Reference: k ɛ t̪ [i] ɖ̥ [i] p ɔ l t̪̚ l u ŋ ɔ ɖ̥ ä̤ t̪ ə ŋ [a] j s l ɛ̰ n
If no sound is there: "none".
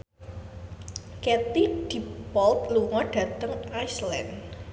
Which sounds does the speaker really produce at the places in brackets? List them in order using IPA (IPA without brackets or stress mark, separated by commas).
i, i, a